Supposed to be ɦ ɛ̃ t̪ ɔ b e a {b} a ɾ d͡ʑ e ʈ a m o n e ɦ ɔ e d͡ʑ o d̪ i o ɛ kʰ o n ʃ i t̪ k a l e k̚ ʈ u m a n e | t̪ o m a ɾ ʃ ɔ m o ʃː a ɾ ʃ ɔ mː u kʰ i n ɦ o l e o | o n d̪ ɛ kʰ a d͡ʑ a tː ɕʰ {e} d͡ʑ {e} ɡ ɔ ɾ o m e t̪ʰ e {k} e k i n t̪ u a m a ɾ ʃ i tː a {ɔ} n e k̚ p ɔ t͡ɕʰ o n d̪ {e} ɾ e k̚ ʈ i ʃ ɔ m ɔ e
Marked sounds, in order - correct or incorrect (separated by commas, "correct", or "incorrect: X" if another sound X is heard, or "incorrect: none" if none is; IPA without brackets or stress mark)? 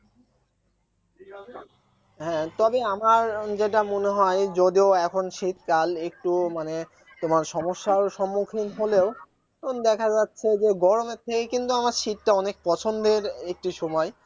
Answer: incorrect: m, correct, correct, correct, correct, correct